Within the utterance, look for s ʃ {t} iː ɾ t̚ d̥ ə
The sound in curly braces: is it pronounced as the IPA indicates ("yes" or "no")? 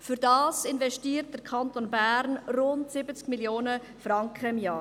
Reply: yes